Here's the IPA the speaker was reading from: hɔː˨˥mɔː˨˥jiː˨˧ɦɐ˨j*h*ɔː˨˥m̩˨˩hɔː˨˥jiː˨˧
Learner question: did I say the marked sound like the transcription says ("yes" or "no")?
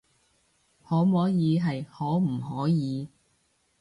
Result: yes